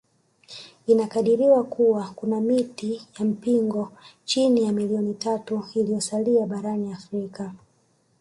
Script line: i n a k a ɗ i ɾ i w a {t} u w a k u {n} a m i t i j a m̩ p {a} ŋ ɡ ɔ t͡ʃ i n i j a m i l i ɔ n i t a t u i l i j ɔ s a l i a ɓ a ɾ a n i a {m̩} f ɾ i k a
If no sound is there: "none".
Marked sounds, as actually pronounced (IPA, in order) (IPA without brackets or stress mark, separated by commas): k, n, i, none